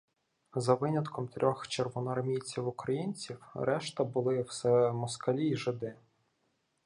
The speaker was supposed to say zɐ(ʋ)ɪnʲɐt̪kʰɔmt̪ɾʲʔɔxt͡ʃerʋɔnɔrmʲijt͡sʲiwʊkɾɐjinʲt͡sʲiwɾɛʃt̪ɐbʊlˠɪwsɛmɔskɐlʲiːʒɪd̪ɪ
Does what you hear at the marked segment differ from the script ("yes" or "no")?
no